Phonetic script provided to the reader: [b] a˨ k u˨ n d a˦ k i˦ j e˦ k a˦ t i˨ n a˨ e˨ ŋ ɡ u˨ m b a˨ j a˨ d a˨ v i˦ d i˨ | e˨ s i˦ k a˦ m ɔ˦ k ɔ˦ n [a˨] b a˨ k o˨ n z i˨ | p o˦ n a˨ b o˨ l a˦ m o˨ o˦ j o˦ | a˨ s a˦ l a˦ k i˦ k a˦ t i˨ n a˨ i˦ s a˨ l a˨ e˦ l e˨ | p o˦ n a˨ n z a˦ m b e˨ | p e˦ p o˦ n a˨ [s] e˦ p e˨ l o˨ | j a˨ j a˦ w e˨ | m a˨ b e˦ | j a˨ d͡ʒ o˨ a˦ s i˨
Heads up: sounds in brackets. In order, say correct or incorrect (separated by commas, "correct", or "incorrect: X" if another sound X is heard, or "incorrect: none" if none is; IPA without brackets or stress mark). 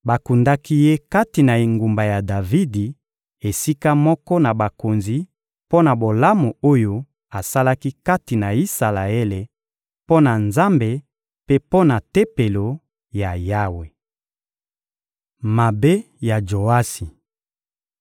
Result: correct, correct, incorrect: t